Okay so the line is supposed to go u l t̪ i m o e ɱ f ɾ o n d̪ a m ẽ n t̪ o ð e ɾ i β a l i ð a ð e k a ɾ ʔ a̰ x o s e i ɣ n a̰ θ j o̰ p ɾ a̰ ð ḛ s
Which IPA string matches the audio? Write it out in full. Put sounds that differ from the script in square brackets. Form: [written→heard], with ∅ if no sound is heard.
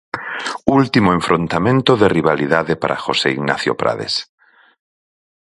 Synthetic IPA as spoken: u l t̪ i m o e ɱ f ɾ o n [d̪→t̪] a m ẽ n t̪ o ð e [ɾ→r] i β a l i ð a ð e [k→p] a ɾ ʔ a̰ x o s e i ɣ n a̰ θ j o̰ p ɾ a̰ ð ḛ s